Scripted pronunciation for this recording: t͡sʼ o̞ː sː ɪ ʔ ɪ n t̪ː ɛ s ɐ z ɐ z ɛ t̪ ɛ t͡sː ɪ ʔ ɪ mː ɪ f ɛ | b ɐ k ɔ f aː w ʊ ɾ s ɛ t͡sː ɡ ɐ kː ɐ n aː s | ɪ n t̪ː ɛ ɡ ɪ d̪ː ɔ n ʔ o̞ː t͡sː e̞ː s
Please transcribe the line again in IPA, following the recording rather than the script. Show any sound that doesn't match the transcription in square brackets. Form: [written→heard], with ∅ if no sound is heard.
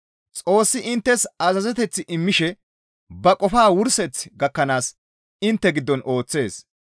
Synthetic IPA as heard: t͡sʼ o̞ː sː ɪ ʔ ɪ n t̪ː ɛ s ɐ z ɐ z ɛ t̪ ɛ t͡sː ɪ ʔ ɪ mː ɪ [f→ʃ] ɛ | b ɐ [k→kʼ] ɔ f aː w ʊ ɾ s ɛ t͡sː ɡ ɐ kː ɐ n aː s | ɪ n t̪ː ɛ ɡ ɪ d̪ː ɔ n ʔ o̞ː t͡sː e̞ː s